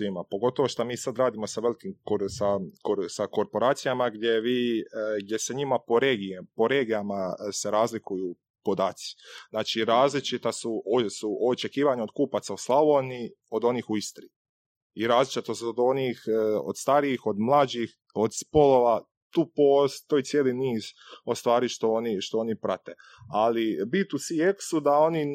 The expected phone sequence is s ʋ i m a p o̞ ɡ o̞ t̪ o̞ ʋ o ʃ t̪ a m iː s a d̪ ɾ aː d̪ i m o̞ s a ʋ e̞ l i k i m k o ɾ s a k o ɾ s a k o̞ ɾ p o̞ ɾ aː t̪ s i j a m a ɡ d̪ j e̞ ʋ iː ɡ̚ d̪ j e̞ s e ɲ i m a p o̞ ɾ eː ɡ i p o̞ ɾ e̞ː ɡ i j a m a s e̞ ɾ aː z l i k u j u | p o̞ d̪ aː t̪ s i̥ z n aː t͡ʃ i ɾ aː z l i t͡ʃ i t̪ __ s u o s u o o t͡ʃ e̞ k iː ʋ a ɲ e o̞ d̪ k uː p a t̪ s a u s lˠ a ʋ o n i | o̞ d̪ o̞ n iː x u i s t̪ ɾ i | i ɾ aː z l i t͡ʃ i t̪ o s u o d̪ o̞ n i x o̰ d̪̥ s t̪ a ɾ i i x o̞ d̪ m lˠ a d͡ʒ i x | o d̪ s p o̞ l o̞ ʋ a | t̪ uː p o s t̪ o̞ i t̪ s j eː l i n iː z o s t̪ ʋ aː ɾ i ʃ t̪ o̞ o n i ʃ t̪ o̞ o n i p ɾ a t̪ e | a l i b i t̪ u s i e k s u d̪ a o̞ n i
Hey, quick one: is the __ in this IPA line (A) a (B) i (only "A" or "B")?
A